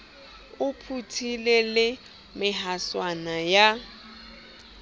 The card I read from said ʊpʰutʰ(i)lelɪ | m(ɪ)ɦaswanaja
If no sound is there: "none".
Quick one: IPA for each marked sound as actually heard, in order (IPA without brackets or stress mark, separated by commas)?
i, ɪ